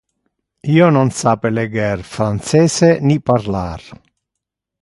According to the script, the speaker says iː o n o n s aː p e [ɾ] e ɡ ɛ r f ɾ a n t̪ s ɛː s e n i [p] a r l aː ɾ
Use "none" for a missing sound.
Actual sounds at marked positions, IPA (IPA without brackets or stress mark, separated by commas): l, p